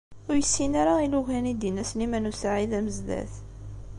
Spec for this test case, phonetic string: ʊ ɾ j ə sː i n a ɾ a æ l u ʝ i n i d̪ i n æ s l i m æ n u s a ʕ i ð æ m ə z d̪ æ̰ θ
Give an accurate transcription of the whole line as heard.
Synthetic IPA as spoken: ʊ ɾ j ə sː i n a ɾ a i l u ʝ æ n i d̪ i n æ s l i m æ n u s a ʕ i ð æ m ə z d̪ æ̰ θ